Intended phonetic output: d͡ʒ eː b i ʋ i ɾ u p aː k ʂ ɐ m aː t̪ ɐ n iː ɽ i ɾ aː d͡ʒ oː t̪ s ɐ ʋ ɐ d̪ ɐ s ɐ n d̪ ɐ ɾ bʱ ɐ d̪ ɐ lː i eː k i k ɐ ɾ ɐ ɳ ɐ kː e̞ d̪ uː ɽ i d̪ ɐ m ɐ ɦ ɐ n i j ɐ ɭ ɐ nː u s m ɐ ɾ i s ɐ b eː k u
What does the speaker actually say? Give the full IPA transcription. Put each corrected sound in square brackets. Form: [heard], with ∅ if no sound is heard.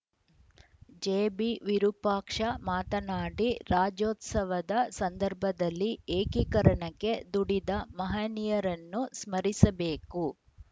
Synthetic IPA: d͡ʒ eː b i ʋ i ɾ u p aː k ʂ ɐ m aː t̪ ɐ n [aː] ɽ i ɾ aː d͡ʒ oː t̪ s ɐ ʋ ɐ d̪ ɐ s ɐ n d̪ ɐ ɾ bʱ ɐ d̪ ɐ lː i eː k i k ɐ ɾ ɐ ɳ ɐ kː e̞ d̪ [u] ɽ i d̪ ɐ m ɐ ɦ ɐ n i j ɐ [ɾ] ɐ nː u s m ɐ ɾ i s ɐ b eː k u